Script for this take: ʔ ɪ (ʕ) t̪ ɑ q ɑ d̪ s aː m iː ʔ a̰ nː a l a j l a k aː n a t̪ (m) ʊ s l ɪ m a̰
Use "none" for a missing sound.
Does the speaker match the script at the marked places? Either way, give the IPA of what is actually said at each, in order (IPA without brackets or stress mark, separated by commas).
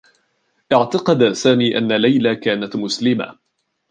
ʕ, m